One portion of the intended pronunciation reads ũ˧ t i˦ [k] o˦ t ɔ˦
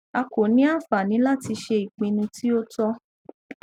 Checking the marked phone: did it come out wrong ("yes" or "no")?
yes